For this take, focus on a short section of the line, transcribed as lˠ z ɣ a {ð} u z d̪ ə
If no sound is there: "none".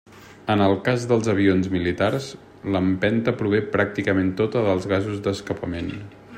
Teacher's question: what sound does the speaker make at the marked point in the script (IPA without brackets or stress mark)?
z